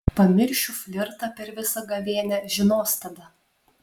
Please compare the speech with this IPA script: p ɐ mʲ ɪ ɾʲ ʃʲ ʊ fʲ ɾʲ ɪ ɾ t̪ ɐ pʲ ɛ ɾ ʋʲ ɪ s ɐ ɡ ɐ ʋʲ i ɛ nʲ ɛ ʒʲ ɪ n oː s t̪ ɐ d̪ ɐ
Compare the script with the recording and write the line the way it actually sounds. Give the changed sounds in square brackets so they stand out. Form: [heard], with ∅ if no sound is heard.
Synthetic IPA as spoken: p ɐ mʲ ɪ ɾʲ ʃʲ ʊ fʲ [lʲ] ɪ ɾ t̪ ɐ pʲ ɛ ɾ ʋʲ ɪ s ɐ ɡ ɐ ʋʲ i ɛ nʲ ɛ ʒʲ ɪ n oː s t̪ ɐ d̪ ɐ